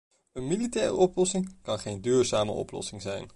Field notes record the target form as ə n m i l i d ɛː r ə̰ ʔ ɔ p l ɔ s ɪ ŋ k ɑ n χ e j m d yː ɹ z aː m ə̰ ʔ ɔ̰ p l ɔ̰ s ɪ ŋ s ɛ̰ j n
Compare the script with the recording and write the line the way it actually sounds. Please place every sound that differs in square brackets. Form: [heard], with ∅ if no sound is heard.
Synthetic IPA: ə n m i l i [t] ɛː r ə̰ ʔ ɔ p l ɔ s ɪ ŋ k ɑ n χ e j [n] d yː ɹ z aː m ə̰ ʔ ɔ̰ p l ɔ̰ s ɪ ŋ [z] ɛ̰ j n